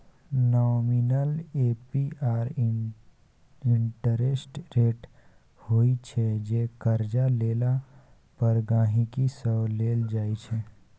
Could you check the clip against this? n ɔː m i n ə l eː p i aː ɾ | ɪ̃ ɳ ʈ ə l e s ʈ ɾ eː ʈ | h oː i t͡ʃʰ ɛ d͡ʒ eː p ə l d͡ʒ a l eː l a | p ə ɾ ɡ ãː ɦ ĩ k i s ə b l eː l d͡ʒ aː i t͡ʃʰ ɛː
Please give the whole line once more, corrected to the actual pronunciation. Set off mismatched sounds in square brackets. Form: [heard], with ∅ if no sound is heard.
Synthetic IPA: n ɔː m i n ə l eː p i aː ɾ | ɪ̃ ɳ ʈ ə [ɾ] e s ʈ ɾ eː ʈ | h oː i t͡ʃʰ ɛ d͡ʒ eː [k] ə [ɾ] d͡ʒ a l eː l a | p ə ɾ ɡ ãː ɦ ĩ k i s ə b l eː l d͡ʒ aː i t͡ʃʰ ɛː